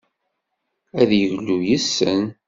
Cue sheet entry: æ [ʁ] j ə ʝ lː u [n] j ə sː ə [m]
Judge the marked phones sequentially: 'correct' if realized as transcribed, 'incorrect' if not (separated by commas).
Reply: incorrect, incorrect, incorrect